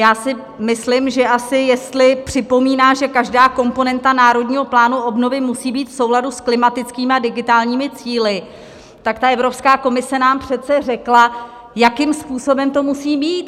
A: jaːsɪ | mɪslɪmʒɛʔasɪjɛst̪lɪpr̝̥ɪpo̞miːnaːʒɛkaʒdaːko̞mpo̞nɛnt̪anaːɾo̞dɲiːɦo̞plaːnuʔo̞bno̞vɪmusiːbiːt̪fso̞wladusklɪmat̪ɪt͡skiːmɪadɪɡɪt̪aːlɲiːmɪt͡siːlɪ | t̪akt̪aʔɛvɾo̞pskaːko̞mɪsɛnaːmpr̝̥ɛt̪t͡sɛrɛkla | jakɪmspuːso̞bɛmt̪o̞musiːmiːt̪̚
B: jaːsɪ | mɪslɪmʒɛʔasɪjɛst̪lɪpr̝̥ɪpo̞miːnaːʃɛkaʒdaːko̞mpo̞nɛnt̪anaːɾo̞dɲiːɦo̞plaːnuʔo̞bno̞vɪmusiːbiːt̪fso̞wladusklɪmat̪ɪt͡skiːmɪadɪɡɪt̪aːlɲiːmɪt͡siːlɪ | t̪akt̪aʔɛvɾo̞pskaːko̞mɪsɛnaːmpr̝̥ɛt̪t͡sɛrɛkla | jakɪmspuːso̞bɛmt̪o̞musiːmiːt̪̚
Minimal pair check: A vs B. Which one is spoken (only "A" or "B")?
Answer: A